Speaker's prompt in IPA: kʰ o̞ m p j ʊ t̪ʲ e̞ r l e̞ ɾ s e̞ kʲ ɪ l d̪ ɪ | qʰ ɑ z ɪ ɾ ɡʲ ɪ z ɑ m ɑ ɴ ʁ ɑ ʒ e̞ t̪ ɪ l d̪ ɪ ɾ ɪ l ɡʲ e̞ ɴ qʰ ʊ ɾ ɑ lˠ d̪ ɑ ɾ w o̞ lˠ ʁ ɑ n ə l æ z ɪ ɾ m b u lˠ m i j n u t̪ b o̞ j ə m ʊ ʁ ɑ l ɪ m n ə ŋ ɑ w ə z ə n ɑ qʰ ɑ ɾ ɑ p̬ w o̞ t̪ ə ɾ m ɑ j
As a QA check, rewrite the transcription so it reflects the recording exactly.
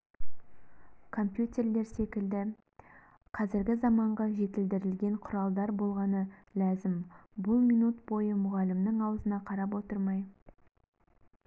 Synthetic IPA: kʰ o̞ m p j u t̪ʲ e̞ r l e̞ ɾ s e̞ kʲ ɪ l d̪ ɪ | qʰ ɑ z ɪ ɾ ɡʲ ɪ z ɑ m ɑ ɴ ʁ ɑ ʒ e̞ t̪ ɪ l d̪ ɪ ɾ ɪ l ɡʲ e̞ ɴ qʰ ʊ ɾ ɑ lˠ d̪ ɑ ɾ b o̞ lˠ ʁ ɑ n ə l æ z ɪ m b ʊ lˠ m i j n u t̪ b o̞ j ə m ʊ ʁ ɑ l ɪ m n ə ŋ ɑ w ə z ə n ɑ qʰ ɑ ɾ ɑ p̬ w o̞ t̪ ə ɾ m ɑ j